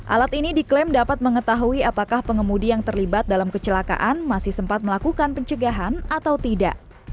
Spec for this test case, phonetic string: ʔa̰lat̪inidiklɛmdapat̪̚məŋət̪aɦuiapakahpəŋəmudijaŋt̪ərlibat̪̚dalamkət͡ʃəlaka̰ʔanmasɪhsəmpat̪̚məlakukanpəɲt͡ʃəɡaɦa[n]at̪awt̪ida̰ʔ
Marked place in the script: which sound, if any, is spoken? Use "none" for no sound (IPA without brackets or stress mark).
n